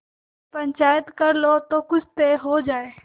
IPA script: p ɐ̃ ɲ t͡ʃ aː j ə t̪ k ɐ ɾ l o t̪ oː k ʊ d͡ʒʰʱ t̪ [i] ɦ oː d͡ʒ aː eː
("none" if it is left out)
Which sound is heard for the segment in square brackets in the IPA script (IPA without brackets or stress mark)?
e